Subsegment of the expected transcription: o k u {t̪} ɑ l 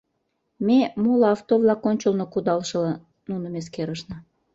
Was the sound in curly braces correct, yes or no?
no